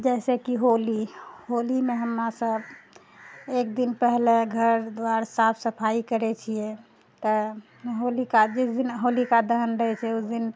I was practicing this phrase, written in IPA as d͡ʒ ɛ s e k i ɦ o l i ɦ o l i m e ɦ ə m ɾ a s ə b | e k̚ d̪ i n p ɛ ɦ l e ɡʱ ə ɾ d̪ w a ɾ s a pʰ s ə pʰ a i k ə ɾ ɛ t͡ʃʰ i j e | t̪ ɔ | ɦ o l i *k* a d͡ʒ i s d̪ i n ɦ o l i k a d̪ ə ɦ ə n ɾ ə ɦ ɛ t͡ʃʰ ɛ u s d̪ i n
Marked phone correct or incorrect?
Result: correct